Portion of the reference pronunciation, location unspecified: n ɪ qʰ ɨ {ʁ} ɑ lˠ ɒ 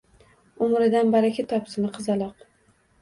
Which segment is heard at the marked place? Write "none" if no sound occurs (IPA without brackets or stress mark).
z